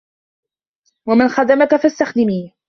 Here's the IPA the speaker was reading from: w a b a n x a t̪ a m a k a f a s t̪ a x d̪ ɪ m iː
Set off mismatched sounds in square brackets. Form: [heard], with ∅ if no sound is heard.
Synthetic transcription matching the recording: w a [m] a n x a [d̪] a m a k a f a s t̪ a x d̪ ɪ m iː